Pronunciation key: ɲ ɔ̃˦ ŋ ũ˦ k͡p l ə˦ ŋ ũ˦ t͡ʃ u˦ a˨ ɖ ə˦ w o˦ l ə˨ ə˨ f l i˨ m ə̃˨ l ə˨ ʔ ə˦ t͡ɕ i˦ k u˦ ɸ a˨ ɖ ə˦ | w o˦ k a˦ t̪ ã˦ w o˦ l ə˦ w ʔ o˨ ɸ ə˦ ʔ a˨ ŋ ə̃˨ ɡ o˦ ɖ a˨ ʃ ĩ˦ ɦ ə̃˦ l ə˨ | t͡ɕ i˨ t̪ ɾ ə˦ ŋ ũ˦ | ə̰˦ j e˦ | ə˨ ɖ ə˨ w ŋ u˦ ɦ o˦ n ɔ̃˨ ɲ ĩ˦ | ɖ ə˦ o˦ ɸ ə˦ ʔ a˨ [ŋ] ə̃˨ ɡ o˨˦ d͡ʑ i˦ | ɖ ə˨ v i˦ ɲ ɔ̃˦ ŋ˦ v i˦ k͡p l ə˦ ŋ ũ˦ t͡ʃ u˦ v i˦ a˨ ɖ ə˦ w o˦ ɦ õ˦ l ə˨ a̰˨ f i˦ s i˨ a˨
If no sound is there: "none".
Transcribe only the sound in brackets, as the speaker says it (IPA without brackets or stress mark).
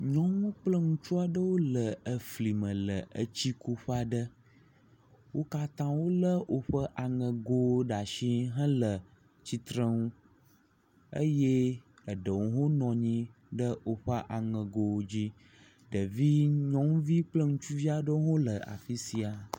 ŋ